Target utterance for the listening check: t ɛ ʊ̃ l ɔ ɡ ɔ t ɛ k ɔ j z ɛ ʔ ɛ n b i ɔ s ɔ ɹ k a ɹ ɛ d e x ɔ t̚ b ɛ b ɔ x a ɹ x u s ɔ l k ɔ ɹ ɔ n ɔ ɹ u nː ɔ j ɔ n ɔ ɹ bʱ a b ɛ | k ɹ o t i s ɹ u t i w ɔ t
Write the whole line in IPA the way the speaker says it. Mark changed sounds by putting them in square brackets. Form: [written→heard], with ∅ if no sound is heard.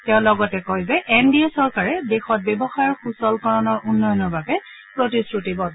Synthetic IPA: t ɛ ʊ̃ l ɔ ɡ ɔ t ɛ k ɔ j z ɛ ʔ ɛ n [b→d] i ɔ s ɔ ɹ k a ɹ ɛ d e x ɔ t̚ b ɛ b ɔ x a ɹ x u s ɔ l k ɔ ɹ ɔ n ɔ ɹ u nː ɔ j ɔ n ɔ ɹ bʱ a b ɛ | [k→p] ɹ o t i s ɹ u t i [w→b] ɔ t